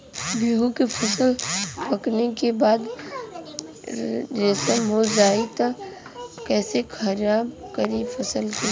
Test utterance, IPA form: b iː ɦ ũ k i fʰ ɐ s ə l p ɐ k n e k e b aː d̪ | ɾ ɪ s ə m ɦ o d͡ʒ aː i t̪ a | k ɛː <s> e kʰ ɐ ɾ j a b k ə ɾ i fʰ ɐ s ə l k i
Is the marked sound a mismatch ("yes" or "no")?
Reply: no